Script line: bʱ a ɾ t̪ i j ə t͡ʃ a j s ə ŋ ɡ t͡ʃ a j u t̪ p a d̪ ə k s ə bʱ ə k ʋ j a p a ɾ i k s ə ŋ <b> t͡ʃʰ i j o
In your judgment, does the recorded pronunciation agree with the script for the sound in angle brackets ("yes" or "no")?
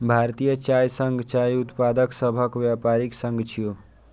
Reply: no